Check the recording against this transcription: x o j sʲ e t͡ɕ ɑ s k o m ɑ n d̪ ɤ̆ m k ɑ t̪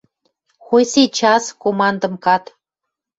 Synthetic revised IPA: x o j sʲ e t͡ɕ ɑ s k o m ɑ n d̪ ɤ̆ m k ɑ t̪